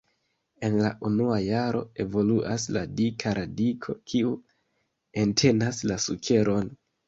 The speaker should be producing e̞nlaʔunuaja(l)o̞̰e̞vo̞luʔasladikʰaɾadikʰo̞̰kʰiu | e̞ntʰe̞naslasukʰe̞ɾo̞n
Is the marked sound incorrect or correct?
incorrect